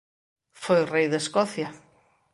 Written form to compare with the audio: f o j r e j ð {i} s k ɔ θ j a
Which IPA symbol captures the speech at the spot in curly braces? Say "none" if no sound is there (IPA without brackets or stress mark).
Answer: e